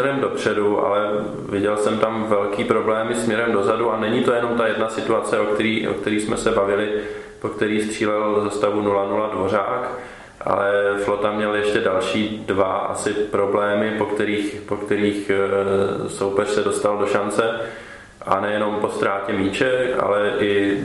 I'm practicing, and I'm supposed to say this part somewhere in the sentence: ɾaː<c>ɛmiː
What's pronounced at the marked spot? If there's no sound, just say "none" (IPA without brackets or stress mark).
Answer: c